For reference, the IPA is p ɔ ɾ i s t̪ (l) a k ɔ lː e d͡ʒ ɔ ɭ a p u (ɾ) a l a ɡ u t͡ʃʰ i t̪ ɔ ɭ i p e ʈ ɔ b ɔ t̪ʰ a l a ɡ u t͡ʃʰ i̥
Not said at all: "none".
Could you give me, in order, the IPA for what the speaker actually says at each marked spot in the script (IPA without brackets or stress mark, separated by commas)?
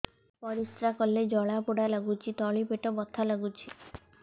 ɾ, ɽ